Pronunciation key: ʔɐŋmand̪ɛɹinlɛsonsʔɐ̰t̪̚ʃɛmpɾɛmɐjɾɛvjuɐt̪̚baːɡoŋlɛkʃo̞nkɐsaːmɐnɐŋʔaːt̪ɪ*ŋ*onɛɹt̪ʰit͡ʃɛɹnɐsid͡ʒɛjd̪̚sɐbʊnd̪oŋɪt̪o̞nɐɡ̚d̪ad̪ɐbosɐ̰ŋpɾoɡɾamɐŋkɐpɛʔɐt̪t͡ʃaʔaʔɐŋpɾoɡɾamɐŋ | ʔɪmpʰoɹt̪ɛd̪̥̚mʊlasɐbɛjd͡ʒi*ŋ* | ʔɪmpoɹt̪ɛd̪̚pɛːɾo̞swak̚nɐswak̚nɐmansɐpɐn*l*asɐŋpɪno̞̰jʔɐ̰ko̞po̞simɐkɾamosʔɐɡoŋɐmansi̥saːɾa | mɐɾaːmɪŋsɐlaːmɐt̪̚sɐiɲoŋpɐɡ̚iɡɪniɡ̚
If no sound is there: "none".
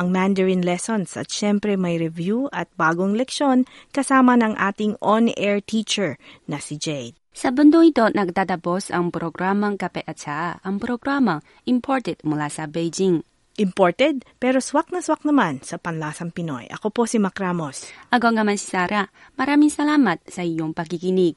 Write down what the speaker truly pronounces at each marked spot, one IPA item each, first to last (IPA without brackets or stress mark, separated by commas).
ŋ, ŋ, l